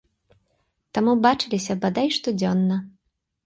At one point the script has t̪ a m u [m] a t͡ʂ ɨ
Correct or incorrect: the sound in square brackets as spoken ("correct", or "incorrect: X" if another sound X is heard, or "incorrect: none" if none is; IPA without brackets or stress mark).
incorrect: b